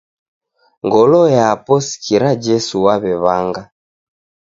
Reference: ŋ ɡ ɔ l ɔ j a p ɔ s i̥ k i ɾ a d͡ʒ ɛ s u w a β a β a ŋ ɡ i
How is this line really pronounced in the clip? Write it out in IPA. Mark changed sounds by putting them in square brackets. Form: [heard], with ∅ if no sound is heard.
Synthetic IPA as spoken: ŋ ɡ ɔ l ɔ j a p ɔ s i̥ k i ɾ a d͡ʒ ɛ s u w a β [ɛ] β a ŋ ɡ [a]